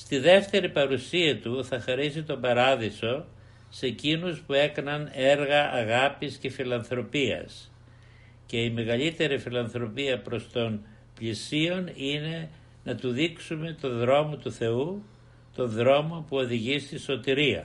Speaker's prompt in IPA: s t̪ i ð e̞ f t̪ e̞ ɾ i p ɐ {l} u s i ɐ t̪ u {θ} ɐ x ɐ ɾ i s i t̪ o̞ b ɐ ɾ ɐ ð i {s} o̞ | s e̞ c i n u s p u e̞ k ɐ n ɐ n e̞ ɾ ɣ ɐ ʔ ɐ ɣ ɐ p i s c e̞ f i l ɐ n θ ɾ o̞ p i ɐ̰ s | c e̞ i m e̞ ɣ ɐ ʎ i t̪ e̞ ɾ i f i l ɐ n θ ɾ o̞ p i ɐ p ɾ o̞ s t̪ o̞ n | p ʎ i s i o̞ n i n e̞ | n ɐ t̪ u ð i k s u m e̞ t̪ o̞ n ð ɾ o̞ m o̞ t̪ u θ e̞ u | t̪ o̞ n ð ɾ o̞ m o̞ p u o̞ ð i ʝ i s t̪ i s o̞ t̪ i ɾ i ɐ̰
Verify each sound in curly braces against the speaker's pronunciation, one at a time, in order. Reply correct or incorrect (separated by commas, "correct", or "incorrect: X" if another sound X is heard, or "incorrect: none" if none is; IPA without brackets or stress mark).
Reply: incorrect: ɾ, correct, correct